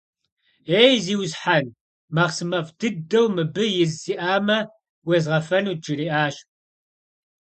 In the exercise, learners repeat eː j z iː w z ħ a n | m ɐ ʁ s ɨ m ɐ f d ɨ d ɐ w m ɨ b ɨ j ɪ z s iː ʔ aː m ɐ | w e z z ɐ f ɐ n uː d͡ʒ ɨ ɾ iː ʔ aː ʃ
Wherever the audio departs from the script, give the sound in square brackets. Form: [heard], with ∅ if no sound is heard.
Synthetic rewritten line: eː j z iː w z ħ a n | m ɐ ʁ s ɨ m ɐ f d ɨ d ɐ w m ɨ b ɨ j ɪ z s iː ʔ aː m ɐ | w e z [ʁ] ɐ f ɐ n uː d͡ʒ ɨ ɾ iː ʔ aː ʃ